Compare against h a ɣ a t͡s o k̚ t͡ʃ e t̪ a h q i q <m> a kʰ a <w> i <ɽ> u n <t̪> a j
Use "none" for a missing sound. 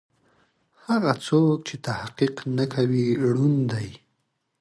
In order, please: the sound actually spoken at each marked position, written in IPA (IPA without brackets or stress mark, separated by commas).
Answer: n, w, ɽ, d̪